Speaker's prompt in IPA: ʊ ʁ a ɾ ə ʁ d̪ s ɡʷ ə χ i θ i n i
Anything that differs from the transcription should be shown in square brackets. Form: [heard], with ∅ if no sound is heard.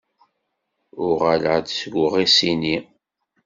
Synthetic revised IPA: ʊ ʁ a [l] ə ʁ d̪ s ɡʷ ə [ʁ] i [s] i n i